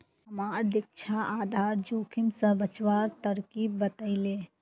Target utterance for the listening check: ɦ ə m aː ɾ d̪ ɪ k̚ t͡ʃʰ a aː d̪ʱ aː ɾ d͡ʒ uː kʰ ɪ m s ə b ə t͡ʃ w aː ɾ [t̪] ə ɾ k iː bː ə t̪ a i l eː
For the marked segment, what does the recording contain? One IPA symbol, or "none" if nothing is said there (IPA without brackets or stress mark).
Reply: t̪